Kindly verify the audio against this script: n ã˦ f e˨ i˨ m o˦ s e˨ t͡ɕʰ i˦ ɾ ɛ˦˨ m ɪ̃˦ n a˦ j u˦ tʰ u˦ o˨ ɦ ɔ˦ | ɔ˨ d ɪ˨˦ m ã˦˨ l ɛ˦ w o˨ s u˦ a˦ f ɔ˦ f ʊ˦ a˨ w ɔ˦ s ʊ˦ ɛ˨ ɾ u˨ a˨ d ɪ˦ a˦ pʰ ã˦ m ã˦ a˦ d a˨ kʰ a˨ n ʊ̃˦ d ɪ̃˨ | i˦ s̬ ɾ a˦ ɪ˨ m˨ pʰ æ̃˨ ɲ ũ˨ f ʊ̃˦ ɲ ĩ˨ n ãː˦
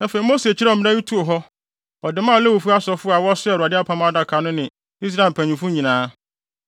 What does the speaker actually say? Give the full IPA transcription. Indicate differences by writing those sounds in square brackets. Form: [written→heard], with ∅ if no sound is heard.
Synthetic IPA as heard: n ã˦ f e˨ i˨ m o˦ s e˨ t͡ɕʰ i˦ ɾ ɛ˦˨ m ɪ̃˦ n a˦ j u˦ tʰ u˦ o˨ ɦ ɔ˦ | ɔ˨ d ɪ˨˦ m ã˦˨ l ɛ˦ w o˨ [s→f] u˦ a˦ [f→s] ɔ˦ f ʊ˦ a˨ w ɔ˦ s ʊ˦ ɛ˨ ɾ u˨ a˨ d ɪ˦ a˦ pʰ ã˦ m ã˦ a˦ d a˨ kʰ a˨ n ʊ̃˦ [d→n] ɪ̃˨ | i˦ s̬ ɾ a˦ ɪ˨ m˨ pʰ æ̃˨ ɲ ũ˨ f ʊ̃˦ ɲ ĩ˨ n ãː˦

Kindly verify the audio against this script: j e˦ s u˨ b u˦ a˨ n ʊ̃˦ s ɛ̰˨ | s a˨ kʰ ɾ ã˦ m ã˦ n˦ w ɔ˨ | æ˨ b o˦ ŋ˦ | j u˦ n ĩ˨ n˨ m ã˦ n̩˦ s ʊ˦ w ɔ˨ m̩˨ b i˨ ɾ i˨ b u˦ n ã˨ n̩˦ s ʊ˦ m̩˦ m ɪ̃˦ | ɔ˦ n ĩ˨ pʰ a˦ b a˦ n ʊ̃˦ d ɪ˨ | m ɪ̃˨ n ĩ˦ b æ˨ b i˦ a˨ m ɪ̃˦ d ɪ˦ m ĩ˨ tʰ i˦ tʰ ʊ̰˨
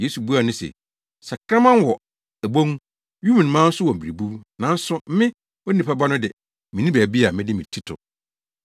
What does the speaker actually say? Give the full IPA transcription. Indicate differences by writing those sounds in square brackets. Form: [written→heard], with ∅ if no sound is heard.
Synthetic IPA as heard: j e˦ s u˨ b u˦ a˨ n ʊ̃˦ s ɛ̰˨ | s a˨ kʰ ɾ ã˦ m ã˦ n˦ w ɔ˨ | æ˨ b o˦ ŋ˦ | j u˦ [n→m] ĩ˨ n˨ m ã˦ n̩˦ s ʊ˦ w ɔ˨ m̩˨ b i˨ ɾ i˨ b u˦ n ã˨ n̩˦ s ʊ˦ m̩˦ m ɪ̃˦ | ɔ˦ n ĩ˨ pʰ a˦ b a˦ n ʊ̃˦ d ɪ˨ | m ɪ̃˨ n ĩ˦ b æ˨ b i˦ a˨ m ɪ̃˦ d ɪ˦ m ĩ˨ tʰ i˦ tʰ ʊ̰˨

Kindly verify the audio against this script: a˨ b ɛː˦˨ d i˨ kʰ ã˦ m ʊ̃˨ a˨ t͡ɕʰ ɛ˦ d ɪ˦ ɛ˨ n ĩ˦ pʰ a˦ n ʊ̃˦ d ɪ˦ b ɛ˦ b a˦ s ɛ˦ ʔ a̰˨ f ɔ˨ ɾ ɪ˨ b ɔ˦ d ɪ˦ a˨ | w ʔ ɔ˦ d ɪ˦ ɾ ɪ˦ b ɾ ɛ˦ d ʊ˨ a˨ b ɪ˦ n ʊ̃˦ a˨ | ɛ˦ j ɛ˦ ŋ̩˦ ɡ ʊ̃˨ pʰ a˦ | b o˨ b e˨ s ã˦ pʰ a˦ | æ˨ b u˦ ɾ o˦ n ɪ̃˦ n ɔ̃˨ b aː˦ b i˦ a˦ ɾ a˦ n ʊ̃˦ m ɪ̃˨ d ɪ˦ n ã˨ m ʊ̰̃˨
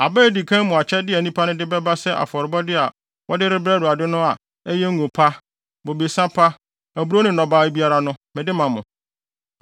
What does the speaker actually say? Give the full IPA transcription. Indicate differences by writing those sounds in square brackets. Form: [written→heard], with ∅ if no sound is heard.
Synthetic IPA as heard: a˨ b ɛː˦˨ d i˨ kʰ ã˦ m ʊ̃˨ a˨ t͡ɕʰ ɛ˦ d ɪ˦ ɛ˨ n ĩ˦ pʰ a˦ n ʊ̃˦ d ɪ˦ b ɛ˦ b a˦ s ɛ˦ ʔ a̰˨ f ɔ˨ ɾ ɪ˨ b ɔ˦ d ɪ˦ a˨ | w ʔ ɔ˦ d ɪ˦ ɾ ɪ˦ b ɾ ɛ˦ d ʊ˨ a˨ [b→d] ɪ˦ n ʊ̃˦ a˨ | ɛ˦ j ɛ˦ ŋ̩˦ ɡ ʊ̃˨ pʰ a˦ | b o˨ b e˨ s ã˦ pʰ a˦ | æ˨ b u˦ ɾ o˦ n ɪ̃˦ n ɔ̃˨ b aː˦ b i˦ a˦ ɾ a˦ n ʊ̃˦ m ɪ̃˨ d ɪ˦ [n→m] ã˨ m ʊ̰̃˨

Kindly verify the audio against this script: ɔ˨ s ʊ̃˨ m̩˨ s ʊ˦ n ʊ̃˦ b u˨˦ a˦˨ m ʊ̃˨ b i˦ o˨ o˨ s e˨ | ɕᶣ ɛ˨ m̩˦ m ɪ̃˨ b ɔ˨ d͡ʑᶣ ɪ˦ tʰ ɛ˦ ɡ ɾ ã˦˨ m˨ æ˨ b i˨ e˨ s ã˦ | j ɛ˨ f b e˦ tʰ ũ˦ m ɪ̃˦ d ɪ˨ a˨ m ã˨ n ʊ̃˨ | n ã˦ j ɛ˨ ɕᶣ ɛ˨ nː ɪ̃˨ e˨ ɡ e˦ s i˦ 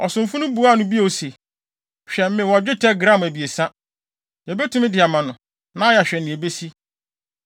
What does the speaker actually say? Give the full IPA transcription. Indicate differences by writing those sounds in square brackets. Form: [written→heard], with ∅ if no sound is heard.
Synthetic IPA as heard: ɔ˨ s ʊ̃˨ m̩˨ [s→f] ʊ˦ n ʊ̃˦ b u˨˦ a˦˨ [m→n] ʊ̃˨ b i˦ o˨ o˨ s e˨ | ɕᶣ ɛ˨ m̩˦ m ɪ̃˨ [b→w] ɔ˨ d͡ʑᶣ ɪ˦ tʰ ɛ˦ ɡ ɾ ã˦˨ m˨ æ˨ b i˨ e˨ s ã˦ | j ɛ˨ [f→∅] b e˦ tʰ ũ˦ m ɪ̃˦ d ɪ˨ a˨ m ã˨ n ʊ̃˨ | n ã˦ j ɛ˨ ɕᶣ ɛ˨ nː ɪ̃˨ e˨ [ɡ→b] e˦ s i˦

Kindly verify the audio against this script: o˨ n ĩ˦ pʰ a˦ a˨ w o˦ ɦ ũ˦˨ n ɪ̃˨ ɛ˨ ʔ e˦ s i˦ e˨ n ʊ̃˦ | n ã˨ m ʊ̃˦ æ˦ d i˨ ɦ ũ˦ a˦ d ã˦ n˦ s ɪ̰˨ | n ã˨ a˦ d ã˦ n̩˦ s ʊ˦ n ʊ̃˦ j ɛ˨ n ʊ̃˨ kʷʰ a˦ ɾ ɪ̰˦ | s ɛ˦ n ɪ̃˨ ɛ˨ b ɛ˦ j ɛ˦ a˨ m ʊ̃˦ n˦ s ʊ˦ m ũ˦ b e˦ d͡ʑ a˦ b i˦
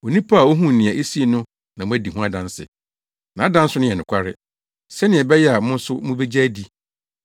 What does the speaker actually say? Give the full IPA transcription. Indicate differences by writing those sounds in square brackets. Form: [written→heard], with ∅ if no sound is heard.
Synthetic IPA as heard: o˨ n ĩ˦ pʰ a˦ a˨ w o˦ ɦ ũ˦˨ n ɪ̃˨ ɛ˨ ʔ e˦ s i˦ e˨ n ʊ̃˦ | n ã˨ m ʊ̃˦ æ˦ d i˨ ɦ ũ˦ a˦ d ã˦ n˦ s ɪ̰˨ | n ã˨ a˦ d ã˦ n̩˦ s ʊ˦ n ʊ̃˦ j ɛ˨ n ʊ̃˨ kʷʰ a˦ ɾ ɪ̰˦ | s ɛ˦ n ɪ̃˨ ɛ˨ b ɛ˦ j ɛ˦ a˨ m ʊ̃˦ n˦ s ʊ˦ m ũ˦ b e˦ d͡ʑ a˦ [b→d] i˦

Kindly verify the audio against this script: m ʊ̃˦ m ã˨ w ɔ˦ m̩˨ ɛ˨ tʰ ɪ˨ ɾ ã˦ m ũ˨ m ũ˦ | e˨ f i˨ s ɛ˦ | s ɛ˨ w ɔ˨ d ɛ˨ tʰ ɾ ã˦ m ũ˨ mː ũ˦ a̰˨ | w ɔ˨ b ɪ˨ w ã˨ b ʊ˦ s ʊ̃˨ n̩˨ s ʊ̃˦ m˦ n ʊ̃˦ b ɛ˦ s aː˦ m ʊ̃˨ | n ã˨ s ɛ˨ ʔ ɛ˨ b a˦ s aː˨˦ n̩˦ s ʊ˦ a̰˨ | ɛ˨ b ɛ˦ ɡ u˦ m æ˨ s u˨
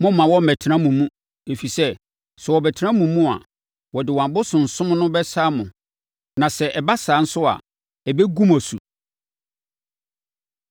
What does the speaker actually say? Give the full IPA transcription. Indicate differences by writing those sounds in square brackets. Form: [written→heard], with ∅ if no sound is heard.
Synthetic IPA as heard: m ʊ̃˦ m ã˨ w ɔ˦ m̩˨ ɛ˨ tʰ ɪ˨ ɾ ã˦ m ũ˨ m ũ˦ | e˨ f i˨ s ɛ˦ | s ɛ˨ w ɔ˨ [d→b] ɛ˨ tʰ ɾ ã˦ m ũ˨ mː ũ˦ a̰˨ | w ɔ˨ [b→d] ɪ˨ w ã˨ b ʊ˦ s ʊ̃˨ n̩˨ s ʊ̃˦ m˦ n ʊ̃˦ b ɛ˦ s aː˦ m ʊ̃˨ | n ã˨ s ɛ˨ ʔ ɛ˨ b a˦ s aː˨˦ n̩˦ s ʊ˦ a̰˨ | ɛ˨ b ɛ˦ ɡ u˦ m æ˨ s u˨

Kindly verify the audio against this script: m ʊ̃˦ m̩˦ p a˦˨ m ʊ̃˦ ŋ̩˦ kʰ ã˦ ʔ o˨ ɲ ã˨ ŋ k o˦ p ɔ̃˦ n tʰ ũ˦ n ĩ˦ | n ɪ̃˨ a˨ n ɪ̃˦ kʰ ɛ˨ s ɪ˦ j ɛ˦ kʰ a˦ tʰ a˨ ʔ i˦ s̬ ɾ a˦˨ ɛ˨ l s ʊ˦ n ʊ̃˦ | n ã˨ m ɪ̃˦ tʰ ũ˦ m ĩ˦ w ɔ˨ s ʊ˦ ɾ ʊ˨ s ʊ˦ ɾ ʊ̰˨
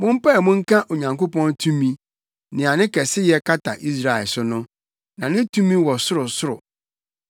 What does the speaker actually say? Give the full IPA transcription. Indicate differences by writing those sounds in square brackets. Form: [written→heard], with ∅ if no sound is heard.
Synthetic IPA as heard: m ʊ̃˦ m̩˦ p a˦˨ m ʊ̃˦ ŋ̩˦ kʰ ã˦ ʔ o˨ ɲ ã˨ ŋ k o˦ p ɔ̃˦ n tʰ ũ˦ [n→m] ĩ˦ | n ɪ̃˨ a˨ n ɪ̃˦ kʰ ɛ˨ s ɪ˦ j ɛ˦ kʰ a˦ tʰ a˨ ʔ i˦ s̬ ɾ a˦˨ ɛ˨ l s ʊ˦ n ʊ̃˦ | n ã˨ [m→n] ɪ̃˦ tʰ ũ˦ m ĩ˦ w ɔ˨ s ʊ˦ ɾ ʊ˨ s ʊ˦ ɾ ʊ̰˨

